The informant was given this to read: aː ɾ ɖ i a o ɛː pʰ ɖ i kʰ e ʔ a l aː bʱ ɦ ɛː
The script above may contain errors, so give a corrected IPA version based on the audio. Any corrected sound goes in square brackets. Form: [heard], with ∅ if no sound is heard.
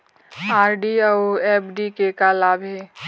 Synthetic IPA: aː ɾ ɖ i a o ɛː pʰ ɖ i [k] e [k] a l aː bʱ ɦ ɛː